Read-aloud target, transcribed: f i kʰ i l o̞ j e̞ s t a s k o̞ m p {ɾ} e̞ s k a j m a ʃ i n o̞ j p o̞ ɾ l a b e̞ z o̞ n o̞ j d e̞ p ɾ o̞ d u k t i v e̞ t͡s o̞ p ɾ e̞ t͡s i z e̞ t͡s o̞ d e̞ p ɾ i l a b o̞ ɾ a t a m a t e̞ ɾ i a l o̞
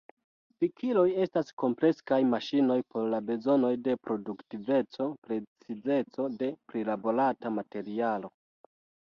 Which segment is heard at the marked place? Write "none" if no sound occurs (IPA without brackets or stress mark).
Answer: l